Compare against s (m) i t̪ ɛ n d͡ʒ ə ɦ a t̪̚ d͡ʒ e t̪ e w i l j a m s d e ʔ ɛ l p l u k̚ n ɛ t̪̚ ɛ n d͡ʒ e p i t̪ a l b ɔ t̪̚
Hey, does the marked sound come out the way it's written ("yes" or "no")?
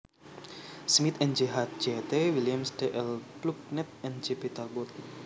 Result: yes